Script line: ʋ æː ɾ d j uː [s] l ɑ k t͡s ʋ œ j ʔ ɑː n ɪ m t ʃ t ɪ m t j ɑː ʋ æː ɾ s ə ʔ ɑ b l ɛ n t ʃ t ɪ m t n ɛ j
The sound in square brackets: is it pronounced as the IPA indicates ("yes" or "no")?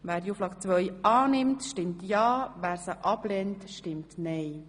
no